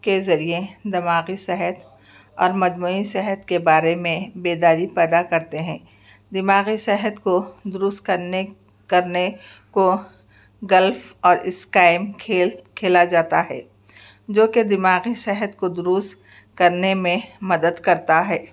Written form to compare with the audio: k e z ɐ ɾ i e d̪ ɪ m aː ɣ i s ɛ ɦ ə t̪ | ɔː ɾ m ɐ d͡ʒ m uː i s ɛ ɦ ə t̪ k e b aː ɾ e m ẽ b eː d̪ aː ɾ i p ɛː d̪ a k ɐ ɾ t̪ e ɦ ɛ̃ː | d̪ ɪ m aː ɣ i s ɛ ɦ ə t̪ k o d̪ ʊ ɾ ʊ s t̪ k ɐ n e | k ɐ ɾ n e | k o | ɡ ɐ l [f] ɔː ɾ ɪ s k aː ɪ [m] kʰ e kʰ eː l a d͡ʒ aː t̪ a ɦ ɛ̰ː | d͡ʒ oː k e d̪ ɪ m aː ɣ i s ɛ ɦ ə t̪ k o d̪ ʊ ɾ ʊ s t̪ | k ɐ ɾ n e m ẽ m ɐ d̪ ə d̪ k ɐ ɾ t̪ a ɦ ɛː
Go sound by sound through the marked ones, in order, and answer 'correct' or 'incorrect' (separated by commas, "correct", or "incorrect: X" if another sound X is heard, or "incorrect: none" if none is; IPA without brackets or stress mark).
correct, correct